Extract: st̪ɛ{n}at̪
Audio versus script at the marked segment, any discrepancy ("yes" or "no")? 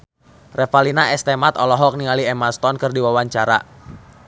yes